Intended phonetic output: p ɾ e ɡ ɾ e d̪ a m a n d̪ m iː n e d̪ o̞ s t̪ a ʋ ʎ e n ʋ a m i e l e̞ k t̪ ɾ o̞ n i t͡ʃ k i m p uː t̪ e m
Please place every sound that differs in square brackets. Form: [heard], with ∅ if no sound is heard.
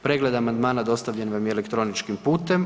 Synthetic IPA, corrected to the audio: p ɾ e ɡ [l] e d̪ a m a n d̪ m [aː] n [a] d̪ o̞ s t̪ a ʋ ʎ e n ʋ a m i e l e̞ k t̪ ɾ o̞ n i t͡ʃ k i m p uː t̪ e m